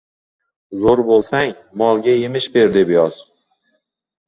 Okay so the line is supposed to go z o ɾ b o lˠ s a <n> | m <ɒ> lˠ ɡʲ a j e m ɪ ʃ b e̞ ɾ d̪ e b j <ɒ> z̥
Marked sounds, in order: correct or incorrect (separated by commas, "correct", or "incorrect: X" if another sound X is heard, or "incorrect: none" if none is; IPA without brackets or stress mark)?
incorrect: ŋ, correct, correct